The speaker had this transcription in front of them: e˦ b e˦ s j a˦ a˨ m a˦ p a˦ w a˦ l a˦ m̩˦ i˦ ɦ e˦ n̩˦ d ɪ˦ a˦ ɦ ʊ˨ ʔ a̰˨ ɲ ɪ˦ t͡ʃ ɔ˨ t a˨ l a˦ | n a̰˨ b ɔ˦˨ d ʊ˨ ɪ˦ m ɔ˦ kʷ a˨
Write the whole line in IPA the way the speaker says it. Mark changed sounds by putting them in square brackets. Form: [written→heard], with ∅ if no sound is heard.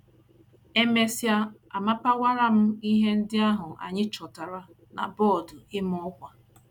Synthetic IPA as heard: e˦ [b→m] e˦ s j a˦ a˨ m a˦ p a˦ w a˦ [l→ɾ] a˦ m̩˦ i˦ ɦ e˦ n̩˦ d ɪ˦ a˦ ɦ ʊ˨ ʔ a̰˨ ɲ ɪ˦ t͡ʃ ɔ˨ t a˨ [l→ɾ] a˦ | n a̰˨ b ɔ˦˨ d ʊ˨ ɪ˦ m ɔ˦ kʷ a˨